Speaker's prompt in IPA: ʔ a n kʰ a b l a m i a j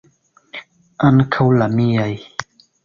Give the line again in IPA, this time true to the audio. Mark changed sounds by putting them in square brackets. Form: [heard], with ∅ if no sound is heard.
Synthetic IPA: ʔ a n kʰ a [w] l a m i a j